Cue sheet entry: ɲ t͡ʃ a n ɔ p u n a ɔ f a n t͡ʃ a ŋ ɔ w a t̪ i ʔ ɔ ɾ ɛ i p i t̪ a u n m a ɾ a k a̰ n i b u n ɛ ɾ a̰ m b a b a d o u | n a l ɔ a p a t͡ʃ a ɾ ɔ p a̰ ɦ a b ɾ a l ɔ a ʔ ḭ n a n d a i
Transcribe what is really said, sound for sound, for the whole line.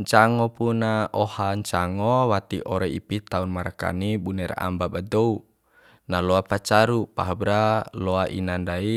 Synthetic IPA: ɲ t͡ʃ a ŋ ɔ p u n a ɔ h a ɲ t͡ʃ a ŋ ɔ w a t̪ i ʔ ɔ ɾ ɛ i p i t̪ a u n m a ɾ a k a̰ n i b u n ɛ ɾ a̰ m b a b a d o u | n a l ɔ a p a t͡ʃ a ɾ u p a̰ ɦ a b ɾ a l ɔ a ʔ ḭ n a n d a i